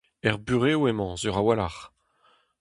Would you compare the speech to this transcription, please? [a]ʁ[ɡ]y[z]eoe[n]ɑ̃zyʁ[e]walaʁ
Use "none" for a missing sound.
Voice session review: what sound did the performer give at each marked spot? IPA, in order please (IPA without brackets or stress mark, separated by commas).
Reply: ɛ, b, ʁ, m, a